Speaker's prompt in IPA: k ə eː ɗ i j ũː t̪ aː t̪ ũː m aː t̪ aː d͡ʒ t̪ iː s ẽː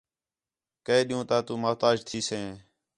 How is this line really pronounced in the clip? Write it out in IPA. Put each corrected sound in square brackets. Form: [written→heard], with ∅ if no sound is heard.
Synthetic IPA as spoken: k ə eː ɗ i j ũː t̪ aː t̪ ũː m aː t̪ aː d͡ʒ [t̪→t̪ʰ] iː s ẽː